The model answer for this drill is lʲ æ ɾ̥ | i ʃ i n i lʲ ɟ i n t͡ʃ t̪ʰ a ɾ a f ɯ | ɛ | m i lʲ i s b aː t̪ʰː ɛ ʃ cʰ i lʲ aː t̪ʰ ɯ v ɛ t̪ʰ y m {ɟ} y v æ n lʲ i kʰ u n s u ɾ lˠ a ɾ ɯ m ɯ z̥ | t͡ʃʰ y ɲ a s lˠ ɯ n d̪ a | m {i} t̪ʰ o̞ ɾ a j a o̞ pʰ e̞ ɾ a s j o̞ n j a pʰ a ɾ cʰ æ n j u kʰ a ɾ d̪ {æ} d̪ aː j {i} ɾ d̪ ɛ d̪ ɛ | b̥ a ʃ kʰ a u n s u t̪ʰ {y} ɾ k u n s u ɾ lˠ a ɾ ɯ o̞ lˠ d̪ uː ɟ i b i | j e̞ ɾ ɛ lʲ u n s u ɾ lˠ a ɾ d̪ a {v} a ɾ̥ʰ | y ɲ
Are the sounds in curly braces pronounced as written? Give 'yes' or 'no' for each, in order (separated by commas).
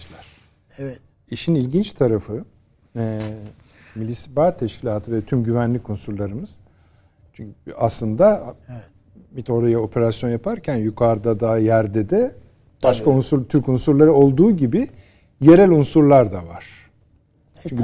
yes, yes, no, no, yes, yes